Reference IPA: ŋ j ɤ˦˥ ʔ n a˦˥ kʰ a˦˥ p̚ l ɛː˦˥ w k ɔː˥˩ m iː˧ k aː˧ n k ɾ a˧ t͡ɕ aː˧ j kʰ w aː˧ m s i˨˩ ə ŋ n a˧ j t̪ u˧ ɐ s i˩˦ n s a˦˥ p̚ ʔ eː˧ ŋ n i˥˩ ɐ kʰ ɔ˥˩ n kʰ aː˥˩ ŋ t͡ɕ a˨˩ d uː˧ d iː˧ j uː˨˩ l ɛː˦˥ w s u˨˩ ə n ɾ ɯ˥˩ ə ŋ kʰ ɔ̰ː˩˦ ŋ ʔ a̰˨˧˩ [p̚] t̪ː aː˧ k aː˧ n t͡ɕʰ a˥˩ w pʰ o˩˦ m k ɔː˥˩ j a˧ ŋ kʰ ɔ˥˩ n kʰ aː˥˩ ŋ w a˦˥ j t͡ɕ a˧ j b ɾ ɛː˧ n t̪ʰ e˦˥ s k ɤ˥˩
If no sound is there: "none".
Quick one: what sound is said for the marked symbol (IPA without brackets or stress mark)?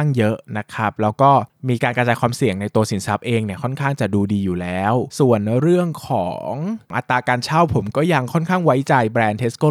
none